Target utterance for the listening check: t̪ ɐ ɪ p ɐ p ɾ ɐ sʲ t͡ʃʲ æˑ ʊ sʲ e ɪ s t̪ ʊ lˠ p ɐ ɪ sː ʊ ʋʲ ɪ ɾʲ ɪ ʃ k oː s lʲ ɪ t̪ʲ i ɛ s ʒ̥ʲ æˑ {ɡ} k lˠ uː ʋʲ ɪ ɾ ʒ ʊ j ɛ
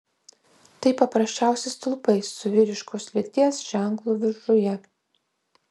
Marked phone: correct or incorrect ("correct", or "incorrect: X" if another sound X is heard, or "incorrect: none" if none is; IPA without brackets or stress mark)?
incorrect: ŋ